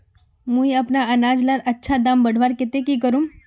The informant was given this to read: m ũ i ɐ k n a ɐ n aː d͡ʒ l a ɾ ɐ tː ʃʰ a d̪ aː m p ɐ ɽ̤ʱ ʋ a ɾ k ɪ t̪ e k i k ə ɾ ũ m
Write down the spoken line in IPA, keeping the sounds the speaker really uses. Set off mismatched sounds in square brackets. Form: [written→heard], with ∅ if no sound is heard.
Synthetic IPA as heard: m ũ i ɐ [k→p] n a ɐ n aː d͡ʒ l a ɾ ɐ tː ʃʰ a d̪ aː m [p→b] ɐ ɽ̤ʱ ʋ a ɾ k ɪ t̪ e k i k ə ɾ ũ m